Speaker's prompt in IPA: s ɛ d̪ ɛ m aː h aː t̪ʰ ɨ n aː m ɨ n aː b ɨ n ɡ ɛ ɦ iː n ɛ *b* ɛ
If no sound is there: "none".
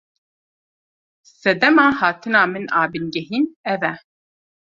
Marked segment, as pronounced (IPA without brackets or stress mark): v